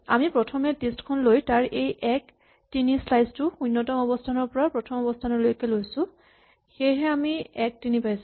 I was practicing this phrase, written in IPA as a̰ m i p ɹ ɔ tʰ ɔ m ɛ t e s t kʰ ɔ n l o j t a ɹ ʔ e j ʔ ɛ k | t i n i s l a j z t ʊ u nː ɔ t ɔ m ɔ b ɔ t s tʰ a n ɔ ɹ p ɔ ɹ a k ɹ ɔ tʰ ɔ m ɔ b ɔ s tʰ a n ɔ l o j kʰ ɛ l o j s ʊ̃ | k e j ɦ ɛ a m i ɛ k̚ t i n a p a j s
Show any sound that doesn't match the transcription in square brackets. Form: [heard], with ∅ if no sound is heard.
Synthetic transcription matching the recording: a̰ m i p ɹ ɔ tʰ ɔ m ɛ t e s t kʰ ɔ n l o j t a ɹ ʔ e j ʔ ɛ k | t i n i s l a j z t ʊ u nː ɔ t ɔ m ɔ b ɔ [∅] s tʰ a n ɔ ɹ p ɔ ɹ a [p] ɹ ɔ tʰ ɔ m ɔ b ɔ s tʰ a n ɔ l o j [k] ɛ l o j s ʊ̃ | [x] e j ɦ ɛ a m i ɛ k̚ t i n [i] p a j s